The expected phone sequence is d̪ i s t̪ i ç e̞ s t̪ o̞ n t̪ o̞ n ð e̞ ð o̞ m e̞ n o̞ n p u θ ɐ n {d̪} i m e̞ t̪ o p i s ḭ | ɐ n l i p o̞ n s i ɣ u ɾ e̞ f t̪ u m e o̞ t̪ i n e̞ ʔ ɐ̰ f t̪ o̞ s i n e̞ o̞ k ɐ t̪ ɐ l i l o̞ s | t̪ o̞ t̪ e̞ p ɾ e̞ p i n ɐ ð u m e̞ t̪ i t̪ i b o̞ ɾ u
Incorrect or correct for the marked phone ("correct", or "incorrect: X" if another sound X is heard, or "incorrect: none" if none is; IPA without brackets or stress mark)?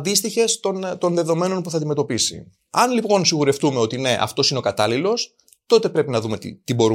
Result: correct